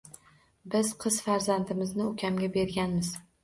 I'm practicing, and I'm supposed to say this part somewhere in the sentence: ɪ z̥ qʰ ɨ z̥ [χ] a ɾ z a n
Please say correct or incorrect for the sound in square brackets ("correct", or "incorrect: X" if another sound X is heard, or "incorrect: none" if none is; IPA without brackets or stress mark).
incorrect: f